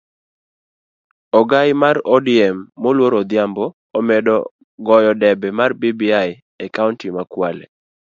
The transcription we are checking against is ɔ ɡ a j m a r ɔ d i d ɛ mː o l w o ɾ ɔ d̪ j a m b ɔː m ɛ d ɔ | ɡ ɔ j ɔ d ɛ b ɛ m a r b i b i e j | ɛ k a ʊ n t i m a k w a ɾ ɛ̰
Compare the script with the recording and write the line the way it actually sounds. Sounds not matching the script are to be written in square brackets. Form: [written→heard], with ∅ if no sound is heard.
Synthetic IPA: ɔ ɡ a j m a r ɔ d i [d→∅] ɛ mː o l w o ɾ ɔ d̪ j a m b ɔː m ɛ d ɔ | ɡ ɔ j ɔ d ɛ b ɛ m a r b i b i [e→a] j | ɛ k a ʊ n t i m a k w a [ɾ→l] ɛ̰